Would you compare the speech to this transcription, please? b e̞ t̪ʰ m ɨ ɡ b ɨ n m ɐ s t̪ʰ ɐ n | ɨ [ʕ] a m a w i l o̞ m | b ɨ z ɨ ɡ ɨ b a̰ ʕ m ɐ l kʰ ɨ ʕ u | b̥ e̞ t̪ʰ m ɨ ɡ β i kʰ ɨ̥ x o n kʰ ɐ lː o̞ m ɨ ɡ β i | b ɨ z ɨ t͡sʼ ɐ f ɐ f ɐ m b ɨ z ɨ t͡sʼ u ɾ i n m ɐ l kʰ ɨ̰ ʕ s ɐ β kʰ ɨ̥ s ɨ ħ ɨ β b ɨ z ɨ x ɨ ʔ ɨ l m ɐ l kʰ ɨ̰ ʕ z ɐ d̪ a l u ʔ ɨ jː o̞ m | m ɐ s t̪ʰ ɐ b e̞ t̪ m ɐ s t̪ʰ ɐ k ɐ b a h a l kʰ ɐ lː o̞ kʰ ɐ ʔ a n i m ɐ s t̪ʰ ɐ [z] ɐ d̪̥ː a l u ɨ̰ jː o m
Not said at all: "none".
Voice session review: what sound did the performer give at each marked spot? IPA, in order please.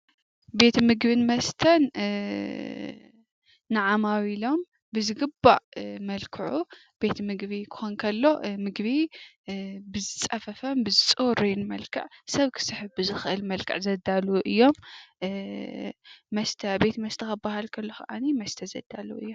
ʕ, z

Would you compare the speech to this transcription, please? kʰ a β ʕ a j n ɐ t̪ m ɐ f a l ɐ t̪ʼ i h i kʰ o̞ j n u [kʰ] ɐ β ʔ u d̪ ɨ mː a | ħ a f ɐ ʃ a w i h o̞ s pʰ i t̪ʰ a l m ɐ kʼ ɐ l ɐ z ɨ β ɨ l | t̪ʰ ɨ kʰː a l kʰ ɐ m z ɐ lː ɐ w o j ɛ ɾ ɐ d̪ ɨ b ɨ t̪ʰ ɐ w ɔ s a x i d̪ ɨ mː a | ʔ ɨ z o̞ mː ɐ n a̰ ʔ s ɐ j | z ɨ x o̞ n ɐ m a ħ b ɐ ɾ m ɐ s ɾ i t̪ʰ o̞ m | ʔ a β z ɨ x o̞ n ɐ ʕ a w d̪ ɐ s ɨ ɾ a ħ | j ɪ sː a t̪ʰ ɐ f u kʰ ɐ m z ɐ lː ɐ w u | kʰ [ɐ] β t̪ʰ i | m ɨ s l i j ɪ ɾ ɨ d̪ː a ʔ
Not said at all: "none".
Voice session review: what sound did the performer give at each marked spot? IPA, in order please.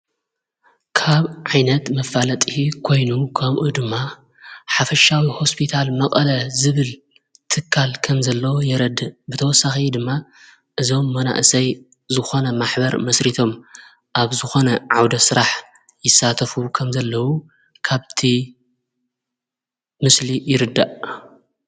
kʰ, a

